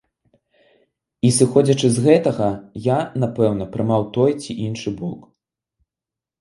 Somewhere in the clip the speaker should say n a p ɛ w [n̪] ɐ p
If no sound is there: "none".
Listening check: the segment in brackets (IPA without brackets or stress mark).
n̪